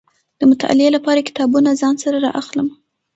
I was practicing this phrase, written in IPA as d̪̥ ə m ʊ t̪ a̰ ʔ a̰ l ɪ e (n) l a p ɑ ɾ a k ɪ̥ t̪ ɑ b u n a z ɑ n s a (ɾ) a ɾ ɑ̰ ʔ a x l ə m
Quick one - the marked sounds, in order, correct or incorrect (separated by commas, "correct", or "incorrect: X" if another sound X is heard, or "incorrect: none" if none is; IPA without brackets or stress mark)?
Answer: incorrect: none, correct